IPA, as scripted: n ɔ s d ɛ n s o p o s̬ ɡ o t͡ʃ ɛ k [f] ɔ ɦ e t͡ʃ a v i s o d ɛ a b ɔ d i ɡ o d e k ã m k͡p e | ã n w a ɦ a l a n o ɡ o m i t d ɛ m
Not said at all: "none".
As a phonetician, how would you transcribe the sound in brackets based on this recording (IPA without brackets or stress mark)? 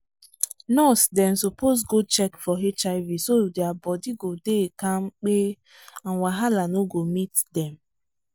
f